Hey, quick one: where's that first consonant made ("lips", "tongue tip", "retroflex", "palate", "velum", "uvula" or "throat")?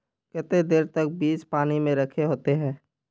velum